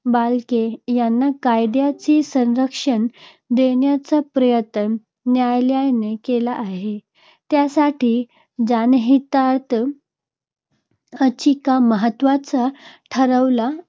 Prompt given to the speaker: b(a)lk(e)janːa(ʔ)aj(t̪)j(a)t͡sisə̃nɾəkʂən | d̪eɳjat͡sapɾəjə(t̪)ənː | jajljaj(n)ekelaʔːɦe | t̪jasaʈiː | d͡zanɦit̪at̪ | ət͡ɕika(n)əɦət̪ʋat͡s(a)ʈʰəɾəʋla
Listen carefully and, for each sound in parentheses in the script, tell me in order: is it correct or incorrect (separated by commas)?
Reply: correct, correct, incorrect, incorrect, correct, correct, correct, incorrect, correct